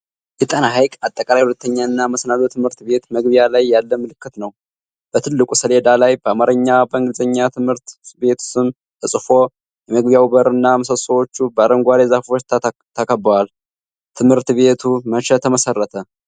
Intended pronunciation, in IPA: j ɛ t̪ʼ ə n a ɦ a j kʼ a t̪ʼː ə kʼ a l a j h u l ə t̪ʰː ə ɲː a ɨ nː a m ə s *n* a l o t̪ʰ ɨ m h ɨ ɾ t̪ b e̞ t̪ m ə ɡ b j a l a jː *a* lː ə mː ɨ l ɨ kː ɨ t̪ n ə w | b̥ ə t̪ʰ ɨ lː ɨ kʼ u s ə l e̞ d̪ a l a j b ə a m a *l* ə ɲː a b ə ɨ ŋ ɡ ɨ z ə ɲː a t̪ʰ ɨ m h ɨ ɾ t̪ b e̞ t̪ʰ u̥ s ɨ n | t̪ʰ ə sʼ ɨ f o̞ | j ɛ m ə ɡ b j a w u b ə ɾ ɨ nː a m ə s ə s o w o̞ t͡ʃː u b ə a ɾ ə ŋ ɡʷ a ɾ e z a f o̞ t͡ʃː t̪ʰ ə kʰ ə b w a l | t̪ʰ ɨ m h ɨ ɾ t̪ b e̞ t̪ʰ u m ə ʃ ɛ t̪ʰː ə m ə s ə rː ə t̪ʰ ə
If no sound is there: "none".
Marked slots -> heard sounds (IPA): n, a, ɾ

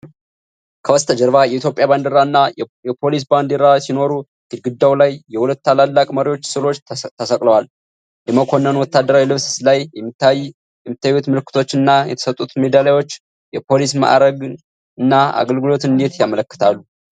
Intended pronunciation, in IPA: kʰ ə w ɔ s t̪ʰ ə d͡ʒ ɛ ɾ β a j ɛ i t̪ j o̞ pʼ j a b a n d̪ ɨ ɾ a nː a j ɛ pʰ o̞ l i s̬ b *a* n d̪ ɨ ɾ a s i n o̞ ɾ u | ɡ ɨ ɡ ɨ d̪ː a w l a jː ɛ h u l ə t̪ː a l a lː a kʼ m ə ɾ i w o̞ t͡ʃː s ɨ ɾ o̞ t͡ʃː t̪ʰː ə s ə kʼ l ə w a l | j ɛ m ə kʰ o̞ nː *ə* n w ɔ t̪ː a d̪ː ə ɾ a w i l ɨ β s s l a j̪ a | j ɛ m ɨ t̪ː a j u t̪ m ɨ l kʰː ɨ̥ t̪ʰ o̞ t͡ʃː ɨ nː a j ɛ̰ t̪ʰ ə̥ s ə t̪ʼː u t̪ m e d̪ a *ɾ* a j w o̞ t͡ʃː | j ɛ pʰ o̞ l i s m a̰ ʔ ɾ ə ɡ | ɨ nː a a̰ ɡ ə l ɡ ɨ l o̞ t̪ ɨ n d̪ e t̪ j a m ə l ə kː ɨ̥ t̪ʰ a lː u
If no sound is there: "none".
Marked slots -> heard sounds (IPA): a, ə, l

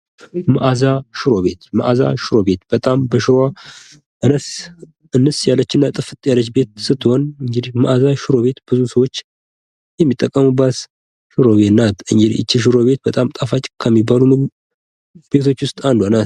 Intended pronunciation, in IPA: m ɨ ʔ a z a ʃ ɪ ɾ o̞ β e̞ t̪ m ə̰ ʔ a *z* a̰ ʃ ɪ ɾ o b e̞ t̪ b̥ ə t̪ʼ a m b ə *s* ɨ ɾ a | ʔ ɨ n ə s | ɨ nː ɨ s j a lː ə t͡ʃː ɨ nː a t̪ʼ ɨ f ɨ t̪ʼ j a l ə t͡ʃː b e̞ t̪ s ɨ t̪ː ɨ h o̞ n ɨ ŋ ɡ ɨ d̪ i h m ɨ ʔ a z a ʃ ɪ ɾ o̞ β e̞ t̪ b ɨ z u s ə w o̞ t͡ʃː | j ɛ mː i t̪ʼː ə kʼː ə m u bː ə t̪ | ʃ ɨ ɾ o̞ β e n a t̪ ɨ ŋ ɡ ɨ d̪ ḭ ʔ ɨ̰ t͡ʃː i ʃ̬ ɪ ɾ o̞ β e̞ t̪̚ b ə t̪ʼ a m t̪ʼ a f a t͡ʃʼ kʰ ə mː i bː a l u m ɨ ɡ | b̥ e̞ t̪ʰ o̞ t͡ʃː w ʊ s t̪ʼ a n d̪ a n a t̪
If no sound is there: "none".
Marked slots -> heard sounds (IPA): z, ʃ

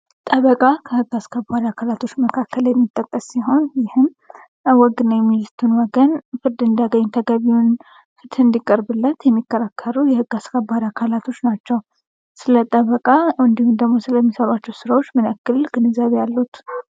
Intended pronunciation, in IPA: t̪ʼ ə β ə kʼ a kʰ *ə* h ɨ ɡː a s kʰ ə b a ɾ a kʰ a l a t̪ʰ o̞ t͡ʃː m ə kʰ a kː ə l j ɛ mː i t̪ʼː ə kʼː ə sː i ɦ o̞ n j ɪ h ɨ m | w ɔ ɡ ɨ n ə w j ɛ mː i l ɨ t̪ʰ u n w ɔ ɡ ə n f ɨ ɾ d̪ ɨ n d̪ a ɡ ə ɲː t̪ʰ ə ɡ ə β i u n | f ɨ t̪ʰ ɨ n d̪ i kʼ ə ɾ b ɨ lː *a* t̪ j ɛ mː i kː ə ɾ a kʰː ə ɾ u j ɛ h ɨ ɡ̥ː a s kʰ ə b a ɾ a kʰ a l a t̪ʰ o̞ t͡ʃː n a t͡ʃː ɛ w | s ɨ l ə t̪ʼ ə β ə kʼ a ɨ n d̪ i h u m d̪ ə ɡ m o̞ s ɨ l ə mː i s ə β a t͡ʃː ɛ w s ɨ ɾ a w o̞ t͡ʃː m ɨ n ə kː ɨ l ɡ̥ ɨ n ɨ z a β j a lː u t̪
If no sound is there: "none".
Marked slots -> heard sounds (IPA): ə, ə

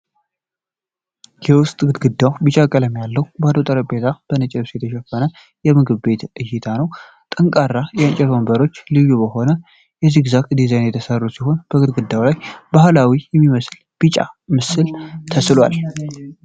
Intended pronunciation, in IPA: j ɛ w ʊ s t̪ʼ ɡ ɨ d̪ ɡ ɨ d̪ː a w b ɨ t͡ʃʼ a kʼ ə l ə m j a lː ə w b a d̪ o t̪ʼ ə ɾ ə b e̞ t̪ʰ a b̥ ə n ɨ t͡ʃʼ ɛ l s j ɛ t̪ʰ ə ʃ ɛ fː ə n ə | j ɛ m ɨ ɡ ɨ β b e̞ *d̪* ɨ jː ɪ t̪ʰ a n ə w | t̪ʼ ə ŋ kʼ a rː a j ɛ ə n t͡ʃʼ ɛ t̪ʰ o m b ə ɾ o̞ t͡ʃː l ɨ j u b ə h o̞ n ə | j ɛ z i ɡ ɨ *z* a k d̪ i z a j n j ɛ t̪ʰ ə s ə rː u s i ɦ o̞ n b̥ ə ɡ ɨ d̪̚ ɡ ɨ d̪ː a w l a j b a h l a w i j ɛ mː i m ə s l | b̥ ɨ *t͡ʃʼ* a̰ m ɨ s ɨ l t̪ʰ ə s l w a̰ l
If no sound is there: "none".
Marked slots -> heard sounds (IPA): t̪, z, t͡ʃʼ

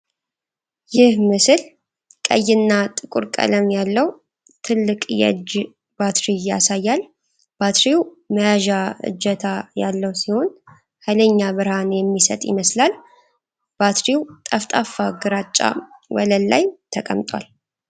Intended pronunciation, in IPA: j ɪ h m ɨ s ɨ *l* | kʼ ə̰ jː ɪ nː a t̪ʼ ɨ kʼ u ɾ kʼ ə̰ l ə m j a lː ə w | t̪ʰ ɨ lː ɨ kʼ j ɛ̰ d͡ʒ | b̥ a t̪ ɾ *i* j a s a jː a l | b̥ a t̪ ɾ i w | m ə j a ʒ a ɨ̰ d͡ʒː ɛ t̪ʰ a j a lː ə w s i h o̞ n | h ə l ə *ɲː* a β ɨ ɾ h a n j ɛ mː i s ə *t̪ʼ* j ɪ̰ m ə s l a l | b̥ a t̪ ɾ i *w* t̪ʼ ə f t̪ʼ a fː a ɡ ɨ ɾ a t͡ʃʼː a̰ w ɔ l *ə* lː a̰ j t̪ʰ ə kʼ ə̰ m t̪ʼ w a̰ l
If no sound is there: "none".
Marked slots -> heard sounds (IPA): l, i, ɲː, t̪ʼ, w, ə

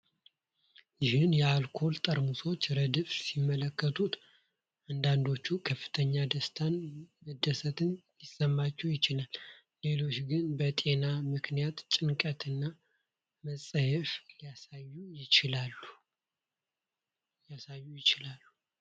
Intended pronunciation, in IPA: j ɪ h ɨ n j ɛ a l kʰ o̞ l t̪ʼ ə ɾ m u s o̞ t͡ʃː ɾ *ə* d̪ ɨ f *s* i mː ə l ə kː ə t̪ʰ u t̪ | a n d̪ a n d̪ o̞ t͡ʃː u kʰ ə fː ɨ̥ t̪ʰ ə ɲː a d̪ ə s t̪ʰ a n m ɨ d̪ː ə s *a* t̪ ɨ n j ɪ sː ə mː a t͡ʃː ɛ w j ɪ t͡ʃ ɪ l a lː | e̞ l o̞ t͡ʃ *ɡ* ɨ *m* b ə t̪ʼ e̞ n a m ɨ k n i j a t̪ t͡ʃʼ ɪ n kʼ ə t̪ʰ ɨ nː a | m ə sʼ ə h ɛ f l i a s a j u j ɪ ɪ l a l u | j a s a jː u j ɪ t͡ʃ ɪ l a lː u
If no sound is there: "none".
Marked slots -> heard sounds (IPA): ə, s, ə, ɡ, n

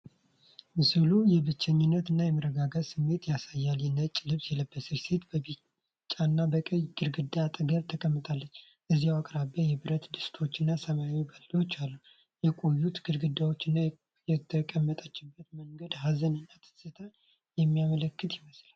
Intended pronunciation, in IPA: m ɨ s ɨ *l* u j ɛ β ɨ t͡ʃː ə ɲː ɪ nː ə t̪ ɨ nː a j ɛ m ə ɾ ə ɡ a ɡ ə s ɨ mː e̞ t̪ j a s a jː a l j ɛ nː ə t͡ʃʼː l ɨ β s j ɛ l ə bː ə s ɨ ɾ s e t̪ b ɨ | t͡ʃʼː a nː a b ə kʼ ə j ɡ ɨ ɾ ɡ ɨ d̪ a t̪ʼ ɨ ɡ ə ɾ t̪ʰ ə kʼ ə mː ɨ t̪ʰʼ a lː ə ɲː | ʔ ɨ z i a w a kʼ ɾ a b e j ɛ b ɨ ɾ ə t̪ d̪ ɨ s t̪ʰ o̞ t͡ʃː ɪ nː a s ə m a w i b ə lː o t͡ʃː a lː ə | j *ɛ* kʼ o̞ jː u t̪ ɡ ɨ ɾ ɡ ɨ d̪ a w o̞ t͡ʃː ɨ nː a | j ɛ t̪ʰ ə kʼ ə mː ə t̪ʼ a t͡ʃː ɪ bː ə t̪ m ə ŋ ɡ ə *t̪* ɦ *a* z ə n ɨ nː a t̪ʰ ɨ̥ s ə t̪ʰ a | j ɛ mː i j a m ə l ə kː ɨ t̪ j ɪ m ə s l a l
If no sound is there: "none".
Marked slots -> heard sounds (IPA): l, ɛ, d̪, a

